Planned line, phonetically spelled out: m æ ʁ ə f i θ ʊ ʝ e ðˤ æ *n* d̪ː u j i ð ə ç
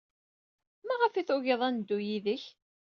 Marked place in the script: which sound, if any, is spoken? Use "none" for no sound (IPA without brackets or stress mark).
n